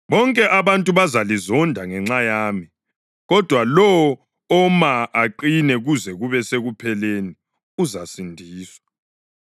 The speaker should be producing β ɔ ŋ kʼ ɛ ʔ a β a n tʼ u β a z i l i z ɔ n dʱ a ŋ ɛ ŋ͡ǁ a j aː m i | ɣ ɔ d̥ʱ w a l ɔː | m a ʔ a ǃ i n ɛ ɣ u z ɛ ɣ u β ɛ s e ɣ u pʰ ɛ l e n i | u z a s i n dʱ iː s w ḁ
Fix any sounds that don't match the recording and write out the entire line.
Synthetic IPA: β ɔ ŋ kʼ ɛ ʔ a β a n tʼ u β a z a l i z ɔ n dʱ a ŋ ɛ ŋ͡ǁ a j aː m i | ɣ ɔ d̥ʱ w a l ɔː | m a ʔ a ǃ i n ɛ ɣ u z ɛ ɣ u β ɛ s e ɣ u pʰ ɛ l e n i | u z a s i n dʱ iː s w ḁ